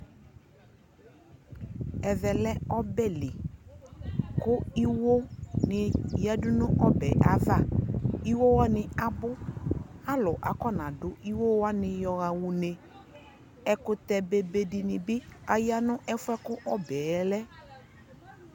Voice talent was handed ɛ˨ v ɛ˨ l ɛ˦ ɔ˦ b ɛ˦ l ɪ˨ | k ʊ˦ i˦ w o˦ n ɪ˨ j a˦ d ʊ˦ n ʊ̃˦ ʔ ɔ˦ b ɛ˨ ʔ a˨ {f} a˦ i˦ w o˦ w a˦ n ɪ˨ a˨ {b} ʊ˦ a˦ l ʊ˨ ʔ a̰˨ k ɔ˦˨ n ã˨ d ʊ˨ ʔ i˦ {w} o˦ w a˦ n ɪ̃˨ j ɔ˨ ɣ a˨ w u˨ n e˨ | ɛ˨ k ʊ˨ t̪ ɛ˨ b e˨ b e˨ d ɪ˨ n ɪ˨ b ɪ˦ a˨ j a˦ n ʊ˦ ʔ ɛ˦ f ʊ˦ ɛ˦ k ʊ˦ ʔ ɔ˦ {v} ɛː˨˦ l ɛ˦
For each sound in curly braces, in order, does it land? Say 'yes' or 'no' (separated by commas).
no, yes, yes, no